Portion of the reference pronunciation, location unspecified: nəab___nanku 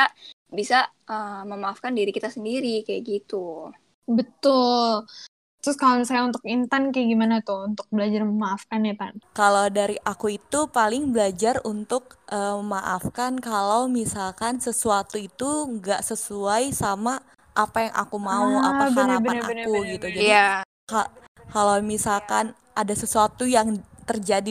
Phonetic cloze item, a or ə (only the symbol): a